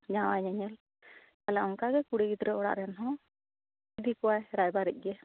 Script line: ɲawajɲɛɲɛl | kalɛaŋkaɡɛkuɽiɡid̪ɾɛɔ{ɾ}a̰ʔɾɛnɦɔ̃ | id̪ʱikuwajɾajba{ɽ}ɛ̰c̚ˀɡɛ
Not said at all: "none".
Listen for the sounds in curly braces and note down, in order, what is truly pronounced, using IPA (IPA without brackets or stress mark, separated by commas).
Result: ɽ, ɾ